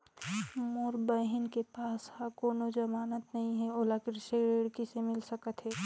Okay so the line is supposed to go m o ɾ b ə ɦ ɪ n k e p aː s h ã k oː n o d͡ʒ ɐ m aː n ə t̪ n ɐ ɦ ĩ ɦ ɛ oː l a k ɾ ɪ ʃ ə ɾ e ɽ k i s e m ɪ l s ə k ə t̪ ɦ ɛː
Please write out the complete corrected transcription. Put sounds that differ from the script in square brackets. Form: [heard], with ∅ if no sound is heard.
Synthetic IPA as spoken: m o ɾ b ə ɦ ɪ n k e p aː s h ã k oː n o d͡ʒ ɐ m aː n ə t̪ n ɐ ɦ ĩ ɦ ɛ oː l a k ɾ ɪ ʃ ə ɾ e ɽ k i s e m ɪ l s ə k ə t̪ ɦ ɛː